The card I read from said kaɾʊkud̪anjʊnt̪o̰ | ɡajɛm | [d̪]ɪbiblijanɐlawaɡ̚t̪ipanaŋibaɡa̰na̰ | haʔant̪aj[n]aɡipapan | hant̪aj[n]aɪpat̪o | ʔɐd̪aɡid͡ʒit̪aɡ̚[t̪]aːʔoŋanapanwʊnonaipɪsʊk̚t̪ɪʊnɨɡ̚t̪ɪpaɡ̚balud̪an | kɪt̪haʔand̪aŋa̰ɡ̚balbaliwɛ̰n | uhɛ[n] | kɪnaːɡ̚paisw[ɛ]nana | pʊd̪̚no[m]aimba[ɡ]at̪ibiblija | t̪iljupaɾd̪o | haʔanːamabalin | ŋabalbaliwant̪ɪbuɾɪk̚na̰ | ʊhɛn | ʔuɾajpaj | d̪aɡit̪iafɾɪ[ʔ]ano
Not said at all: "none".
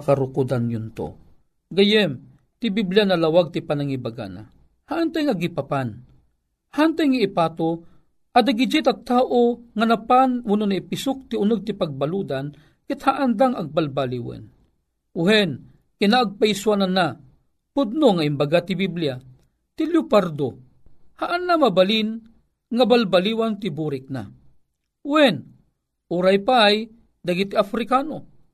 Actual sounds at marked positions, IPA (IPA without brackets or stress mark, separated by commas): t̪, ŋ, ŋ, t̪, n, a, ŋ, ɡ, k